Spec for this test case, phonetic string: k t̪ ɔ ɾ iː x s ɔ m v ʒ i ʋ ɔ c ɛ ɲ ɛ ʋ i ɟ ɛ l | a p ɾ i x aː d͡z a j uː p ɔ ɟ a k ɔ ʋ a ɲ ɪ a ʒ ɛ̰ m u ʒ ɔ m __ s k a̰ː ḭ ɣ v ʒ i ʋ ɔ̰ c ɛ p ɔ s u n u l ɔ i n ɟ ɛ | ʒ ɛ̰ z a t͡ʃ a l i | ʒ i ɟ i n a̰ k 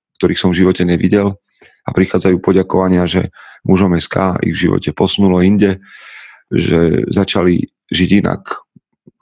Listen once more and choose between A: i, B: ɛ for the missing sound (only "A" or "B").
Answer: B